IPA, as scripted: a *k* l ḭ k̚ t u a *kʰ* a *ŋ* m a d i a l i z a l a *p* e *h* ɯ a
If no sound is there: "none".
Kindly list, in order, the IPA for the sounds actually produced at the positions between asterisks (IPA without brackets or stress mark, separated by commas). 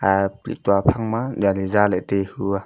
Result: p, pʰ, ŋ, t, h